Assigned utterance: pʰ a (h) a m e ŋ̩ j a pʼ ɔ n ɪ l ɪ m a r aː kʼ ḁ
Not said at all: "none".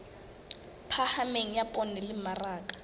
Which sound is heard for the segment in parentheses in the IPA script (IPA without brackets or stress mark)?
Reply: h